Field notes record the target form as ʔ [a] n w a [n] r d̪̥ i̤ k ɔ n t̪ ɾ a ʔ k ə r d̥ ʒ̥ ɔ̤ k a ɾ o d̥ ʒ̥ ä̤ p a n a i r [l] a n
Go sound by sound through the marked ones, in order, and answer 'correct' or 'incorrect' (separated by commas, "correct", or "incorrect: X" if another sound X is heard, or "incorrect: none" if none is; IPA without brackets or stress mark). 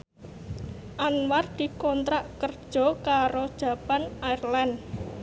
correct, incorrect: none, correct